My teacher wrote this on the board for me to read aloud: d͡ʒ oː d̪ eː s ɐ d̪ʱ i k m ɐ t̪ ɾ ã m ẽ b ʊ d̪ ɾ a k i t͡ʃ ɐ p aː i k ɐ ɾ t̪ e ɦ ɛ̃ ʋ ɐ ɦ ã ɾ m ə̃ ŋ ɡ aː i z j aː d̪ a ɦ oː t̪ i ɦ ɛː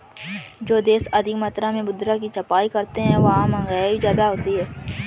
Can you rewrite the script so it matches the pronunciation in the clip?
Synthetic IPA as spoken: d͡ʒ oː d̪ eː s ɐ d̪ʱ i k m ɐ t̪ ɾ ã m ẽ b ʊ d̪ ɾ a k i t͡ʃ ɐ p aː i k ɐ ɾ t̪ e ɦ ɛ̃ ʋ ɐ ɦ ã m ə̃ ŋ ɡ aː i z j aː d̪ a ɦ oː t̪ i ɦ ɛː